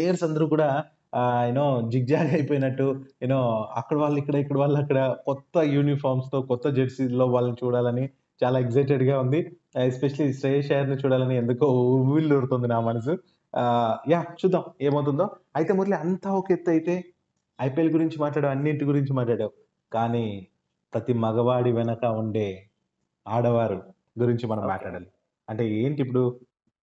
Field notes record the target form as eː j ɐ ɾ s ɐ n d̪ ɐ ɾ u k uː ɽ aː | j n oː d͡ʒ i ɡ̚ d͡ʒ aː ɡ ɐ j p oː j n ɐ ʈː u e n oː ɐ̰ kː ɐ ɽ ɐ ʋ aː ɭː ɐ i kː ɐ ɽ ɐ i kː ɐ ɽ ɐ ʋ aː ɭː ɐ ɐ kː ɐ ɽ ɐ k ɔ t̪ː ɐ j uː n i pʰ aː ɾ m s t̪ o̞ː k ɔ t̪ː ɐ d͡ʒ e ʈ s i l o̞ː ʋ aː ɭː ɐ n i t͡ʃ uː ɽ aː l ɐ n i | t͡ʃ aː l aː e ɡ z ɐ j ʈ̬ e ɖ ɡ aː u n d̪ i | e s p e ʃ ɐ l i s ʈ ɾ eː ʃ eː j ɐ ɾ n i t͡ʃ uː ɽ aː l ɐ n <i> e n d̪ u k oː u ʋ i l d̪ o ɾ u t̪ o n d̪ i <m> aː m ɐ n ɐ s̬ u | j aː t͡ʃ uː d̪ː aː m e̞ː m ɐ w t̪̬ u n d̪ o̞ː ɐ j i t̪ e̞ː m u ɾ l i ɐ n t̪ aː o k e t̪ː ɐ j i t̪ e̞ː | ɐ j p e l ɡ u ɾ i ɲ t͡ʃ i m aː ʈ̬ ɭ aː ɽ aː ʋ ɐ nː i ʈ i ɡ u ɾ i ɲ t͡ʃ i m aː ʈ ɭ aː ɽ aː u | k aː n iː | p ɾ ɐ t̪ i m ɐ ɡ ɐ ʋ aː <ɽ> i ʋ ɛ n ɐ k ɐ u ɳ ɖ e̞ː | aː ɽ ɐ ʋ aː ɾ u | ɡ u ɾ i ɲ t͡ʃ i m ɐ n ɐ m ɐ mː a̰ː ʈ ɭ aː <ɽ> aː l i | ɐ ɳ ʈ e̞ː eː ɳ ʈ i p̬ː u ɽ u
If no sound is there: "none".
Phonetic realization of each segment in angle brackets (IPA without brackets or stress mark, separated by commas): i, n, ɽ, ɽ